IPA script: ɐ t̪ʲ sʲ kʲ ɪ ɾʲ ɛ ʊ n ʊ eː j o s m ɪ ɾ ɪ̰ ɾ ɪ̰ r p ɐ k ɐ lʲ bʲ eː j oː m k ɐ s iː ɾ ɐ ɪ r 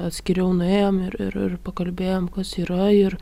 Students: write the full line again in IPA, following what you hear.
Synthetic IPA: ɐ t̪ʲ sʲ kʲ ɪ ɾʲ ɛ ʊ n ʊ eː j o m ɪ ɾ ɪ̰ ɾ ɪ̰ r p ɐ k ɐ lʲ bʲ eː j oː m k ɐ s iː ɾ ɐ ɪ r